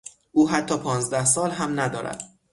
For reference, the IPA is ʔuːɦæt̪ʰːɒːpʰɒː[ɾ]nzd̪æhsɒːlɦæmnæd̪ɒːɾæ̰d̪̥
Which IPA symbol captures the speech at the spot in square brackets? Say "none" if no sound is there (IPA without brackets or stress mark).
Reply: none